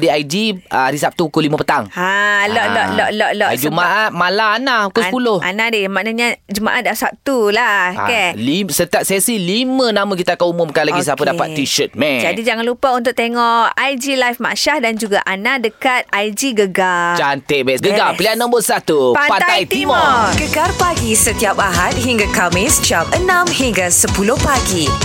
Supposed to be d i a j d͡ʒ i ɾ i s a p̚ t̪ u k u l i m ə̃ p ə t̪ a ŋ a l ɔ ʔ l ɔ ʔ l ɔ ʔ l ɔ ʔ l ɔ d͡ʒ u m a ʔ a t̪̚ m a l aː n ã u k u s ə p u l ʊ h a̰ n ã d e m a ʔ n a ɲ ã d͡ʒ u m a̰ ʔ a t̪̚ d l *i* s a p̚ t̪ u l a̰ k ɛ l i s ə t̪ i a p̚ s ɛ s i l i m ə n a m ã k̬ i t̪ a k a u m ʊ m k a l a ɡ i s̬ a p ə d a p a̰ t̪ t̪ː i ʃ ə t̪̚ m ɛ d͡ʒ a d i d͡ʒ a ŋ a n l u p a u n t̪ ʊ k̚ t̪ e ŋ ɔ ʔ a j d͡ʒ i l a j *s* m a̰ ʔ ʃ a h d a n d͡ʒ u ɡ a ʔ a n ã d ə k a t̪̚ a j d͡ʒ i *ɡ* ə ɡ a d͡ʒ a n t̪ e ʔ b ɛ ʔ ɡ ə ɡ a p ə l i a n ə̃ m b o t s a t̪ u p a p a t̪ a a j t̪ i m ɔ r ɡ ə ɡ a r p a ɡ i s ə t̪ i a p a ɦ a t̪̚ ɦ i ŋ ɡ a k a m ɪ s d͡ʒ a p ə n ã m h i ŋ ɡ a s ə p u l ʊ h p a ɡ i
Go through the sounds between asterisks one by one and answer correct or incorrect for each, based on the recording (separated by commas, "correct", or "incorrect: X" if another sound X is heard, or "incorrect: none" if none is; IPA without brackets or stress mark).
incorrect: a, incorrect: f, correct